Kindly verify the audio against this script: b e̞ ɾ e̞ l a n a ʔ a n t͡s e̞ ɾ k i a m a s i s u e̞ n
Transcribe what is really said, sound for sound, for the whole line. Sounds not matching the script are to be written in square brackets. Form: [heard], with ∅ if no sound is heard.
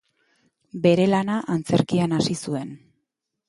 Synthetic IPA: b e̞ ɾ e̞ l a n a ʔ a n t͡s e̞ ɾ k i a [n] a s i s u e̞ n